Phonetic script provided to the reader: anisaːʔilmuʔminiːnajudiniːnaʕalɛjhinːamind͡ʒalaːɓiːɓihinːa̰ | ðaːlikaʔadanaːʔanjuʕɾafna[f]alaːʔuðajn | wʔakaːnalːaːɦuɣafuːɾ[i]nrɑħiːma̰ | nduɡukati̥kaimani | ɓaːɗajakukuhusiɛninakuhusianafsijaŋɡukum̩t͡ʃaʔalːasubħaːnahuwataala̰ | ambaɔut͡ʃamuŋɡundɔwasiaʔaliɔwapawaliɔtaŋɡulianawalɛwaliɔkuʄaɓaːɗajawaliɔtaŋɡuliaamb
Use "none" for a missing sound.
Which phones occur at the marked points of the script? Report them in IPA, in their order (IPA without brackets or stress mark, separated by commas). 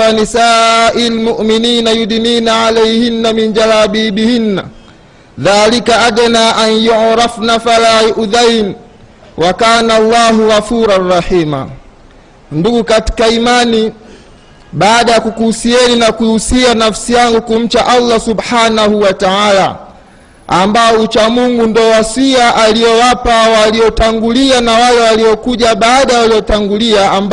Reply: f, a